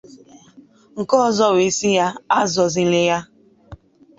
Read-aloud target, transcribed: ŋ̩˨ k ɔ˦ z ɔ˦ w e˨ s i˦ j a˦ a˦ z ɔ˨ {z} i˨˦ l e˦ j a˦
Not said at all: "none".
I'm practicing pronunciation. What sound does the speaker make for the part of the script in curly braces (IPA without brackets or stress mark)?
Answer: z